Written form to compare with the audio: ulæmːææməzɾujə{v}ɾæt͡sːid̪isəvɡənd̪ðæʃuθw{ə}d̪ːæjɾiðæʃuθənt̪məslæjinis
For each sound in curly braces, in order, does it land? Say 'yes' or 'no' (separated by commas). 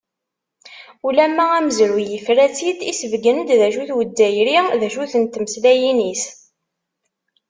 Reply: no, yes